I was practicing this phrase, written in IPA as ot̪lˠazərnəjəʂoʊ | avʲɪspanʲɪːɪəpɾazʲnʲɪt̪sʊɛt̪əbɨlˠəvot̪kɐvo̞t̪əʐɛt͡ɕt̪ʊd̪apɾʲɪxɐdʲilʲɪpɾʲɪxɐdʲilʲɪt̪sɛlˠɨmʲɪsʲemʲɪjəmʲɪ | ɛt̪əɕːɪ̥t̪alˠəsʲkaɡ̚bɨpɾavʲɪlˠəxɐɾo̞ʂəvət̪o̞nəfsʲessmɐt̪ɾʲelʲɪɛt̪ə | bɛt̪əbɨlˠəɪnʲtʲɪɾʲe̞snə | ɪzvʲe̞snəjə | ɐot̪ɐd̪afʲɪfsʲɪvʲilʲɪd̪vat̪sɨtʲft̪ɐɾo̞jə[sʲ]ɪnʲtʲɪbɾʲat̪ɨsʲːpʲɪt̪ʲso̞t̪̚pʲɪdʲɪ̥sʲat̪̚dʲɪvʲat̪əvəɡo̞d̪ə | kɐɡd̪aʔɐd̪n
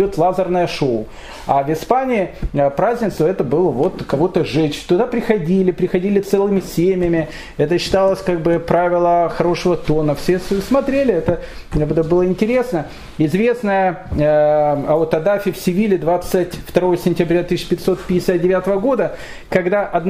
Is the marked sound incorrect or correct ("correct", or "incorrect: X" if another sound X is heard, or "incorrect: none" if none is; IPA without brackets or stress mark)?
correct